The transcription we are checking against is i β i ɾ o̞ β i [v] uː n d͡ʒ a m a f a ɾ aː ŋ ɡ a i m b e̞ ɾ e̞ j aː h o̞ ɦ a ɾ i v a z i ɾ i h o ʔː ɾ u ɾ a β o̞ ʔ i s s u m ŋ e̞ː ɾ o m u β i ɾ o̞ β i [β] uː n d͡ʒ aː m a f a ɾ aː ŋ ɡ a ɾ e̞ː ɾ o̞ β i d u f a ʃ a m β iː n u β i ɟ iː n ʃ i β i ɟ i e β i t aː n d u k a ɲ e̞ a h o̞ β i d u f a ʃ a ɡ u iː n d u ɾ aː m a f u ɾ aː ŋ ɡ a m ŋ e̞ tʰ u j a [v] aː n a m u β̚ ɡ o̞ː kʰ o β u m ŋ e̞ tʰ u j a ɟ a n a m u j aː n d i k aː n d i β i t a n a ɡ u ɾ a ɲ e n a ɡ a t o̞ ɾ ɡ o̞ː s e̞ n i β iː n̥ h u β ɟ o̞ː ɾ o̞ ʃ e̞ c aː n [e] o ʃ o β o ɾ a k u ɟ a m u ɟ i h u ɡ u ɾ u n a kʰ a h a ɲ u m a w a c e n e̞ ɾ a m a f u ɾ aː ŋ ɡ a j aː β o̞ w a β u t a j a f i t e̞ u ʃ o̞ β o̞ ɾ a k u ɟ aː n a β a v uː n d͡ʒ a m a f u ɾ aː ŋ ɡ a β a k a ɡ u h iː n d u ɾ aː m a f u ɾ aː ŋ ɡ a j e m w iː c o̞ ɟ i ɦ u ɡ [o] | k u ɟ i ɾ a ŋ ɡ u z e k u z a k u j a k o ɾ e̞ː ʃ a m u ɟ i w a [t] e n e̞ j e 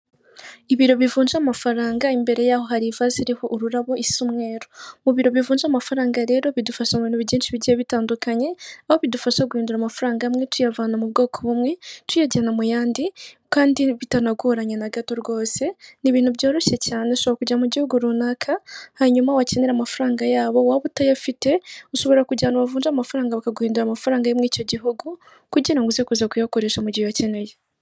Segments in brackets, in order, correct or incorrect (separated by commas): correct, incorrect, correct, correct, incorrect, incorrect